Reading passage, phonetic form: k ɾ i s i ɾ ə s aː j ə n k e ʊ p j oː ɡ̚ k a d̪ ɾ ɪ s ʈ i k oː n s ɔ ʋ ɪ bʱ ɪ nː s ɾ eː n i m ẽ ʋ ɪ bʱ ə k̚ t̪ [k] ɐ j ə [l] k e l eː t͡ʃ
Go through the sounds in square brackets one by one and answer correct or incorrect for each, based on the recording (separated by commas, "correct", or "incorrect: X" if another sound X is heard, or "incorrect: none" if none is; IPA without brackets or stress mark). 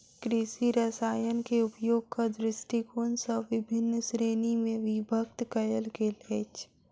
correct, correct